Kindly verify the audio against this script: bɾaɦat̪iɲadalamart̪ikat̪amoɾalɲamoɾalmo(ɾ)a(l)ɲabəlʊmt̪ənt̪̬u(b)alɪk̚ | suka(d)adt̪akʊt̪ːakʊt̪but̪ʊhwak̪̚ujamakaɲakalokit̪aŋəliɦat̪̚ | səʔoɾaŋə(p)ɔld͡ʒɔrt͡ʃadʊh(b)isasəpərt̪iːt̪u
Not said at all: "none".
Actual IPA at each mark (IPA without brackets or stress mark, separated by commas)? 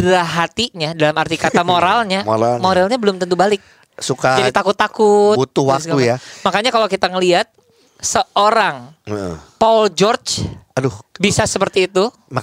ɾ, l, b, d͡ʒ, p, b